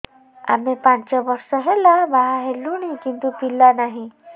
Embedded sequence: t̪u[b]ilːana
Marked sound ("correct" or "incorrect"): incorrect